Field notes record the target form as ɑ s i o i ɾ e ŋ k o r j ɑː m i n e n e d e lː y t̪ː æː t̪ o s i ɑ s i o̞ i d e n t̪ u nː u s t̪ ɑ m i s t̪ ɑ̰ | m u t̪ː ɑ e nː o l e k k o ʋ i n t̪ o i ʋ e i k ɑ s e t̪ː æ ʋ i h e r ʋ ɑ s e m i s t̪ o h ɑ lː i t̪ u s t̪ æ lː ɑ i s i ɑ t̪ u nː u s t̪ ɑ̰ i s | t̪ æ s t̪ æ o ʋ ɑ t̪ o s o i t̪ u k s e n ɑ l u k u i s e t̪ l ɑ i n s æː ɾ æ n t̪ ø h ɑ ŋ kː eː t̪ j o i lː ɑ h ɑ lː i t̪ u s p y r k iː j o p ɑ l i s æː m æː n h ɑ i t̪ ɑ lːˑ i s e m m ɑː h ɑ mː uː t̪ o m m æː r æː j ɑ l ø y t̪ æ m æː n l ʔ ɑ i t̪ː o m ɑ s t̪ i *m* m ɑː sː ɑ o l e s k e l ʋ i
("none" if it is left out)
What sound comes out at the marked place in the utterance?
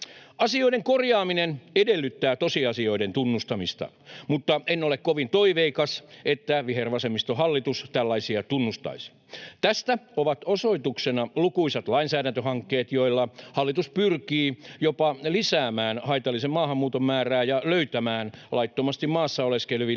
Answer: m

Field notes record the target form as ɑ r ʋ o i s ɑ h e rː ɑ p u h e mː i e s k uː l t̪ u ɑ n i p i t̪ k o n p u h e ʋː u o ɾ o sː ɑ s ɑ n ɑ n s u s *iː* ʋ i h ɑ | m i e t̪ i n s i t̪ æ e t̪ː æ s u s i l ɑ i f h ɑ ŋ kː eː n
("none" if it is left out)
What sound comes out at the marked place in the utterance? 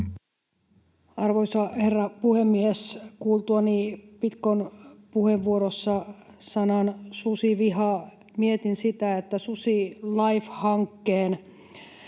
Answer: i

